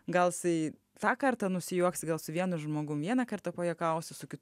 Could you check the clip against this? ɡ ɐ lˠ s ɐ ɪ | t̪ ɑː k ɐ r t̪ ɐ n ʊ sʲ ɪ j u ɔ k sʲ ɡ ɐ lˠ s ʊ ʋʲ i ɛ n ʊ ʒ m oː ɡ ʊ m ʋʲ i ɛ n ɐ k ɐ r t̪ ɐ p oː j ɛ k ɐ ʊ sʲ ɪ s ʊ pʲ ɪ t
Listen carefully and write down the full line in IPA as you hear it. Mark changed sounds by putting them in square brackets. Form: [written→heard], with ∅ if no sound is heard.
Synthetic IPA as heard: ɡ ɐ lˠ s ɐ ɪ | t̪ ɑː k ɐ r t̪ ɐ n ʊ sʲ ɪ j u ɔ k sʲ ɡ ɐ lˠ s ʊ ʋʲ i ɛ n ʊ ʒ m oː ɡ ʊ m ʋʲ i ɛ n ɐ k ɐ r t̪ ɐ p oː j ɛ k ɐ ʊ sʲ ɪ s ʊ [pʲ→kʲ] ɪ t